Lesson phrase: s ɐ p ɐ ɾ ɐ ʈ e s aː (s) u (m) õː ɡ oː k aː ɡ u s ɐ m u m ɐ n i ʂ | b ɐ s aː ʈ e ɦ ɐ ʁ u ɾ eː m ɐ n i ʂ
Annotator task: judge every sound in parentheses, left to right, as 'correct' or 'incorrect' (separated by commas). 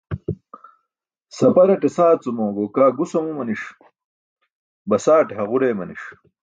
incorrect, correct